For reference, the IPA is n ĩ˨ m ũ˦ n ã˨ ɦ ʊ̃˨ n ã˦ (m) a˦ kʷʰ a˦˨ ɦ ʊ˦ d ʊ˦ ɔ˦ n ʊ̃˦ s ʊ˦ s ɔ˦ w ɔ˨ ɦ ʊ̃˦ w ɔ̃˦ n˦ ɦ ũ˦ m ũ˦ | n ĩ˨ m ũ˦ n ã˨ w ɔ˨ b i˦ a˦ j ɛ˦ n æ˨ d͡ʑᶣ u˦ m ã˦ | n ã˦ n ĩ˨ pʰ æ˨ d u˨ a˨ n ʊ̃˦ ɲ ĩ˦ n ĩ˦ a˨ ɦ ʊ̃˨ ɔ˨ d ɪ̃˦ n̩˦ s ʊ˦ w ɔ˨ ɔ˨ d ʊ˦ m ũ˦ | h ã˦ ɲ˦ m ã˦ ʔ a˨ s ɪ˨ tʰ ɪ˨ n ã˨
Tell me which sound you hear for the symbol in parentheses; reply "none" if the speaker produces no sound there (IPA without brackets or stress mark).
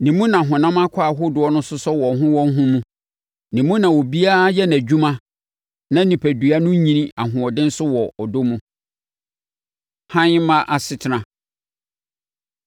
m